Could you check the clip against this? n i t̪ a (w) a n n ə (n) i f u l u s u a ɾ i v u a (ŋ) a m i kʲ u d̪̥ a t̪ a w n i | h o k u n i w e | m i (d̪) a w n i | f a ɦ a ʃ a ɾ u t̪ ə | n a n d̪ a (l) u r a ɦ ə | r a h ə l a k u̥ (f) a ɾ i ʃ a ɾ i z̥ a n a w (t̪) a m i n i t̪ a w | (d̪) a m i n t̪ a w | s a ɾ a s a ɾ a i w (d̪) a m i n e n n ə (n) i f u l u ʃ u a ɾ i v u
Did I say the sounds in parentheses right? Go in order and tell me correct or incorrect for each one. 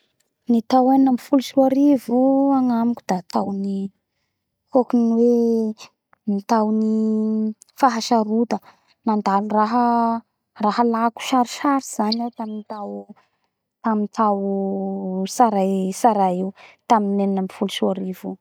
correct, incorrect: m, correct, incorrect: t̪, correct, incorrect: ʃ, correct, incorrect: t̪, incorrect: t̪, incorrect: m

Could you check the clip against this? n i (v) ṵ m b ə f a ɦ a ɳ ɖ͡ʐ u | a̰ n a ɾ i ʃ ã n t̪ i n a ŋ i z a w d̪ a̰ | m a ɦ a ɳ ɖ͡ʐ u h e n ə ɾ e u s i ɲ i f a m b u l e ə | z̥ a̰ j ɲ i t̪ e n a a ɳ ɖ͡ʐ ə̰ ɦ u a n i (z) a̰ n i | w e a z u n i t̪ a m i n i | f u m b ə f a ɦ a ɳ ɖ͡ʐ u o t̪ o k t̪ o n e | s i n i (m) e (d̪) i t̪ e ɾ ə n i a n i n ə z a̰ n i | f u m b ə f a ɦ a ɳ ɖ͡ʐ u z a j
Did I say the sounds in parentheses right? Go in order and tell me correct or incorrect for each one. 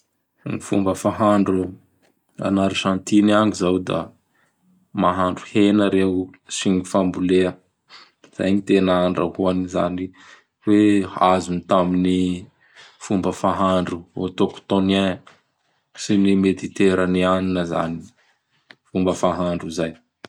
incorrect: f, correct, correct, incorrect: t̪

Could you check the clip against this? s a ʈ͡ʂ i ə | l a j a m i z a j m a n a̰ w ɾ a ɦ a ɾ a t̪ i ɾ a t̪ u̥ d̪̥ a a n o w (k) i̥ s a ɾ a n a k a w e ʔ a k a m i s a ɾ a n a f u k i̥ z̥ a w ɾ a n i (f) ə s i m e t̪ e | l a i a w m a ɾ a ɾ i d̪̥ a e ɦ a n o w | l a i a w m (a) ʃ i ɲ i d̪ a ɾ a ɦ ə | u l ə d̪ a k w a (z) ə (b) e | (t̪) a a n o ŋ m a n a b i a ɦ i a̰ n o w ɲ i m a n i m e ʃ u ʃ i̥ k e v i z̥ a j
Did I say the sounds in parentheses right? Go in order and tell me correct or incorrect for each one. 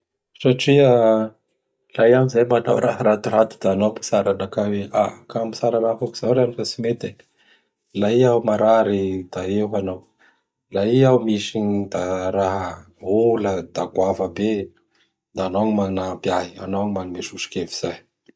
incorrect: p, correct, incorrect: i, incorrect: v, correct, incorrect: d̪

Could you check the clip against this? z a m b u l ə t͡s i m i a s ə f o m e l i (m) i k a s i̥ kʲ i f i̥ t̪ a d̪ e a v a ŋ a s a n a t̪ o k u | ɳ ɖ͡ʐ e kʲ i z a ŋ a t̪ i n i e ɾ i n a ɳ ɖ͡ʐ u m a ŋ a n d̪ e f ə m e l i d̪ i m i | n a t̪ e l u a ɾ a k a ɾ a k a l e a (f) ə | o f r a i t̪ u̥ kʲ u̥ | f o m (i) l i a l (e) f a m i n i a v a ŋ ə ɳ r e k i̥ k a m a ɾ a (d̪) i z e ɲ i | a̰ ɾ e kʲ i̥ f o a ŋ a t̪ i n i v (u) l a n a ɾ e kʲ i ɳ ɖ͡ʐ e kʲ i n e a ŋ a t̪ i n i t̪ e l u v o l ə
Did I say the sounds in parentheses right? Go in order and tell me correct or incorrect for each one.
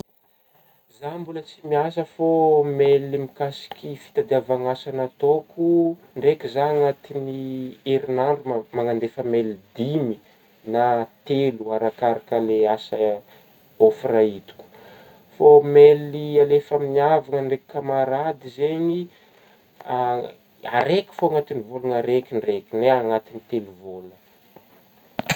correct, incorrect: s, incorrect: e, correct, correct, incorrect: o

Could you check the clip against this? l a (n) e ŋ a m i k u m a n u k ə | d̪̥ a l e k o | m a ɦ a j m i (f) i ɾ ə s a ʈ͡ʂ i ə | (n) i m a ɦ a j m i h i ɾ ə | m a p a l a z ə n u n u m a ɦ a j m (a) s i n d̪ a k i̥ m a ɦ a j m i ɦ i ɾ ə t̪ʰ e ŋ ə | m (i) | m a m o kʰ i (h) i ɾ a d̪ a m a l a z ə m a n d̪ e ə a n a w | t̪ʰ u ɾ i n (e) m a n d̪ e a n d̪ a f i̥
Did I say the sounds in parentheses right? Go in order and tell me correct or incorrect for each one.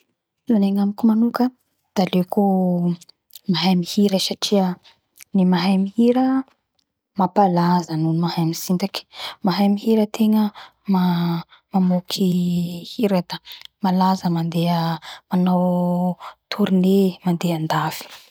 correct, incorrect: h, correct, incorrect: i, incorrect: a, correct, correct

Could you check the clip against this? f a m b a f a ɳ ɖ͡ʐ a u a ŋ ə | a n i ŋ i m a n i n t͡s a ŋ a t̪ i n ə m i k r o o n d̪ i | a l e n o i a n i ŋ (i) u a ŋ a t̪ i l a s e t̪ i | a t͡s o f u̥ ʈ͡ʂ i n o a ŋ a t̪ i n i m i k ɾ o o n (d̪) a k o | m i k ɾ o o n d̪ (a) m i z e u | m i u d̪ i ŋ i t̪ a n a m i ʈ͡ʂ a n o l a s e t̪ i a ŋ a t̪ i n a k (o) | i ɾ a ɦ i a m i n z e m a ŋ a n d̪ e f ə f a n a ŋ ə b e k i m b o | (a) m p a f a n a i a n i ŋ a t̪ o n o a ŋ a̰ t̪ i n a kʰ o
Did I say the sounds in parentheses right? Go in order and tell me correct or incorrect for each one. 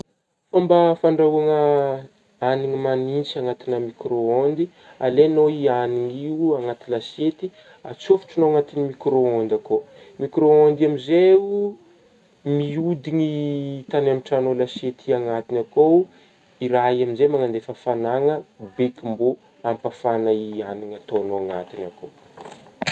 correct, correct, correct, correct, correct

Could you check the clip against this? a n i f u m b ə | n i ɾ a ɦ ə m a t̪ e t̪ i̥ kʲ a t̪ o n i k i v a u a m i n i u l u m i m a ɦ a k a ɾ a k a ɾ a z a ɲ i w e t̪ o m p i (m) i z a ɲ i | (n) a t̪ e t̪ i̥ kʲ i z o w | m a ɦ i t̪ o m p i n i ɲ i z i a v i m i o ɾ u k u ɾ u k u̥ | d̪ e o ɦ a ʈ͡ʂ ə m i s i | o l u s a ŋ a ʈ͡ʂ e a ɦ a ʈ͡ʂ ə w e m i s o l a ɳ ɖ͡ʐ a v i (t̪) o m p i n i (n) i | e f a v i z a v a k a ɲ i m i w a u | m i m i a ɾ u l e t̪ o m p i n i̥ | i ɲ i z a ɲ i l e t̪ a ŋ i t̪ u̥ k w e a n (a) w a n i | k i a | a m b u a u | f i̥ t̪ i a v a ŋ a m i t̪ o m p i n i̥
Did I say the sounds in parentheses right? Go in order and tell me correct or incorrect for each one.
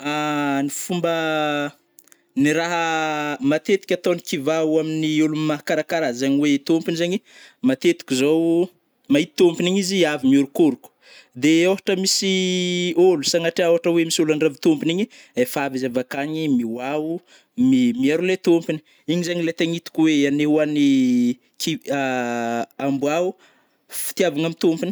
incorrect: n, incorrect: m, correct, incorrect: ɲ, incorrect: e

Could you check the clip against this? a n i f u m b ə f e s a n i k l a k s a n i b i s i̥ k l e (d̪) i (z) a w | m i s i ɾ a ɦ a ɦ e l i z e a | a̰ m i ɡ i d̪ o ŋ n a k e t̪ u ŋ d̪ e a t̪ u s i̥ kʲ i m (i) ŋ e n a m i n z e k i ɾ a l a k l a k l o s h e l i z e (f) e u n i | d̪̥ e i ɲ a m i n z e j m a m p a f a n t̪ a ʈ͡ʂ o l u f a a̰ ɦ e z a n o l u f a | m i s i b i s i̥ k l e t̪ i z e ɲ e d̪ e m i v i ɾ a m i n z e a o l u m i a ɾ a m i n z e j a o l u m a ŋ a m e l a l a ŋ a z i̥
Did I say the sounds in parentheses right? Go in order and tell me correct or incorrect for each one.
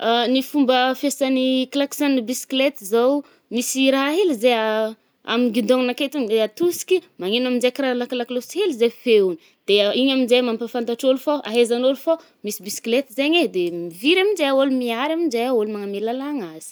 incorrect: t̪, correct, incorrect: a, correct

